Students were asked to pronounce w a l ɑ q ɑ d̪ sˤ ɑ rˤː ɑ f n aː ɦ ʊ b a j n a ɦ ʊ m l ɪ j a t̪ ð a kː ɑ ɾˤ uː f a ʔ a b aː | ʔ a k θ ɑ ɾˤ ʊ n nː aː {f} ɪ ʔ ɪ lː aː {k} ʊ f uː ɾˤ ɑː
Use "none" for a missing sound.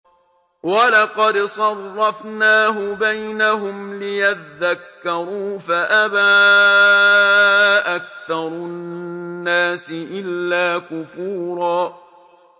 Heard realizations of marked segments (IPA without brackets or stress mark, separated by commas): s, k